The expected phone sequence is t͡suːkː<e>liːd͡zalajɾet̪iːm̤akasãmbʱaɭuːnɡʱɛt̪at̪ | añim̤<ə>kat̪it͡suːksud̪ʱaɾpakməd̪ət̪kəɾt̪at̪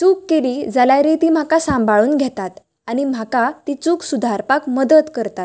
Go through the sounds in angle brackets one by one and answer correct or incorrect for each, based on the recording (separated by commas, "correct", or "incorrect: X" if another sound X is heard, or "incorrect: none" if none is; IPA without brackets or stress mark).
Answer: correct, incorrect: a